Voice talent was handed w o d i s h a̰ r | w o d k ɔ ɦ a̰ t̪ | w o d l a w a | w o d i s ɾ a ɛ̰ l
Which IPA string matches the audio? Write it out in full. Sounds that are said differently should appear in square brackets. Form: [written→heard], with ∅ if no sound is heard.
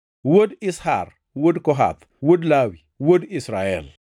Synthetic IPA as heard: w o d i s h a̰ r | w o d k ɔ ɦ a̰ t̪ | w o d l a w [a→i] | w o d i s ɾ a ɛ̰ l